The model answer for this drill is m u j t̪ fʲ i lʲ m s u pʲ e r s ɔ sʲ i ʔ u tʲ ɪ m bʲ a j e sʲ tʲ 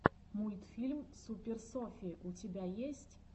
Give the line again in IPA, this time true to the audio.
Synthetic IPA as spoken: m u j t̪ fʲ i lʲ m s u pʲ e r s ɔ fʲ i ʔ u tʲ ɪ bʲ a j e sʲ tʲ